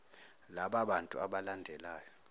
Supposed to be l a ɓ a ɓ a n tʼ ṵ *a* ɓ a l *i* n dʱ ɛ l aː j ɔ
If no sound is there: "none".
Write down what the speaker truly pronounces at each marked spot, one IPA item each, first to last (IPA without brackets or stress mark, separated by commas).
a, a